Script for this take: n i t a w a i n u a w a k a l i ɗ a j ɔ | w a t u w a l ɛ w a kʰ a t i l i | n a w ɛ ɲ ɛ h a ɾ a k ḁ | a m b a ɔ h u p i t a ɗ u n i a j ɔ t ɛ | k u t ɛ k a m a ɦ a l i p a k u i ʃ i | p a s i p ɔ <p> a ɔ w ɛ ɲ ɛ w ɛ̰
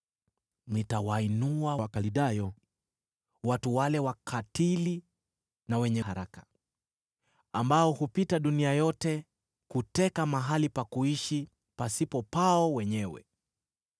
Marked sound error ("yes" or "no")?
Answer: no